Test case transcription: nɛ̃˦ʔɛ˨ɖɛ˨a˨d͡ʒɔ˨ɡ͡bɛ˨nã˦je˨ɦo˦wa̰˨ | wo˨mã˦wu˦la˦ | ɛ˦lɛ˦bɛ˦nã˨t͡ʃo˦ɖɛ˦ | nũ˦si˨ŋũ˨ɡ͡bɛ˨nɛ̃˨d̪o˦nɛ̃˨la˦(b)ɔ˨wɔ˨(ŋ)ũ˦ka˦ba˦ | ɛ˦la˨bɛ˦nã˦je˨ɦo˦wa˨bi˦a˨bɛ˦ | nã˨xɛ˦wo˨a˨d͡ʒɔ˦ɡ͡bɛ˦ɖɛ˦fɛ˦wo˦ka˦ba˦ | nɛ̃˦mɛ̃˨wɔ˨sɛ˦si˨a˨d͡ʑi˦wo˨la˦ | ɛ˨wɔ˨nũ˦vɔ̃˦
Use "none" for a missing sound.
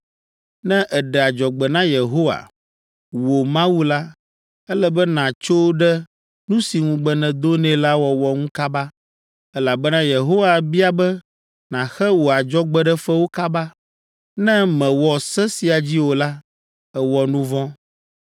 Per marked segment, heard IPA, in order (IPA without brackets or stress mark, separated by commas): w, ŋ